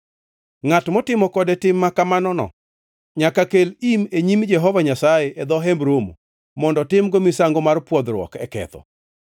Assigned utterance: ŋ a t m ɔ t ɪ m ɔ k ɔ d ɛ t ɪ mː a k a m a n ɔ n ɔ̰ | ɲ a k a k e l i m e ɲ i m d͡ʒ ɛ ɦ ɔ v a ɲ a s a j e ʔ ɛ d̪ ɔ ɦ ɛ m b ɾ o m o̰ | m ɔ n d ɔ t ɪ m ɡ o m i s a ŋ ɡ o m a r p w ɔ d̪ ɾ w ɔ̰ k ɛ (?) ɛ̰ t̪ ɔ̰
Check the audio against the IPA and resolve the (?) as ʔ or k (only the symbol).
k